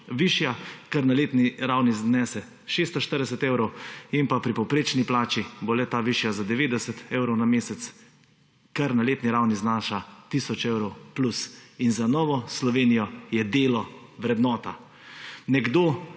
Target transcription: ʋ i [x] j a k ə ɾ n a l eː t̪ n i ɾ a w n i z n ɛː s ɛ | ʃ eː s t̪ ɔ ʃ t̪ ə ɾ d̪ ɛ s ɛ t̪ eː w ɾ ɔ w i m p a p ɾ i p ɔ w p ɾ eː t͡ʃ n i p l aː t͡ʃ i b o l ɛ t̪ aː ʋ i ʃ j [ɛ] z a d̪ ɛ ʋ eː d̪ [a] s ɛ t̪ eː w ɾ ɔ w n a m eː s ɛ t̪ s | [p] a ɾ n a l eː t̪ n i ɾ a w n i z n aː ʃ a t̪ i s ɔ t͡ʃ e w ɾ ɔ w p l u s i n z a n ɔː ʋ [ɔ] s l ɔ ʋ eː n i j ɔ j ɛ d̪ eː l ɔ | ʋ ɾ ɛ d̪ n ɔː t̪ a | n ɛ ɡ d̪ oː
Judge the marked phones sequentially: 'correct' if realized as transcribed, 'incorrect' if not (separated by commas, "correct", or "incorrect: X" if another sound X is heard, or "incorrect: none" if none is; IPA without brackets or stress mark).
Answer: incorrect: ʃ, incorrect: a, incorrect: ɛ, incorrect: k, correct